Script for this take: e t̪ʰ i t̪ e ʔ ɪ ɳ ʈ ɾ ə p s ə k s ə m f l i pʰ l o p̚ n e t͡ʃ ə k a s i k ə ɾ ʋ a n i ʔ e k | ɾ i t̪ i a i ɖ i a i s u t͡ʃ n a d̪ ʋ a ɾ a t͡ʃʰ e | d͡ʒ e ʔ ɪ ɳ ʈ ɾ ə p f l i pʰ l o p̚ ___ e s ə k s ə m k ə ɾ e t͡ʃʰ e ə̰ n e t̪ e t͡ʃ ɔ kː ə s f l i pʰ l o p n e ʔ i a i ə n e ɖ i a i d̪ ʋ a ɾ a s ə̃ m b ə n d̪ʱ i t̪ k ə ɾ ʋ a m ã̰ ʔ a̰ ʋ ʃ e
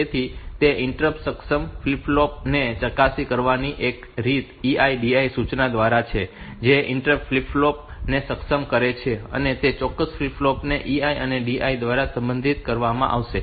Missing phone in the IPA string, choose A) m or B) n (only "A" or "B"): B